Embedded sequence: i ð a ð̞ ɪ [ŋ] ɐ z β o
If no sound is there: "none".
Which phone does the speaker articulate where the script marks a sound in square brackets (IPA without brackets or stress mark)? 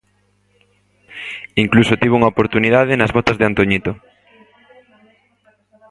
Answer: n